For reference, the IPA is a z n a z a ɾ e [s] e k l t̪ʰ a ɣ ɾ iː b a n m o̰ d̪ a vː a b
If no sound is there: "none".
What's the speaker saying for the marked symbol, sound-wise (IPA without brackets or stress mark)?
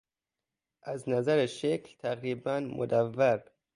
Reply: ʃ